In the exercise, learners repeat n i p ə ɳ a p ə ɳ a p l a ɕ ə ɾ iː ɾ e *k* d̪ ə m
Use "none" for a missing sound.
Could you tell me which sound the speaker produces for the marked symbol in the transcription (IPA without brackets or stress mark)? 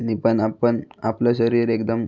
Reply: k